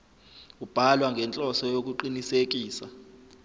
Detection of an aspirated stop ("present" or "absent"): absent